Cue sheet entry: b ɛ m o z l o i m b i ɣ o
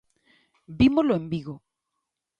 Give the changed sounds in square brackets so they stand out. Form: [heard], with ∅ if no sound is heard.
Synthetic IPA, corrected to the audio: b [i] m o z l o [e] m b i ɣ o